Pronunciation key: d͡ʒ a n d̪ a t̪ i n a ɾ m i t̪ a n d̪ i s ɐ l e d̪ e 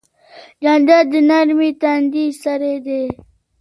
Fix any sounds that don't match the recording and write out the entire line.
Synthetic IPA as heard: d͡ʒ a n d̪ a d̪ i n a ɾ m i t̪ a n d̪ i s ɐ ɾ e d̪ e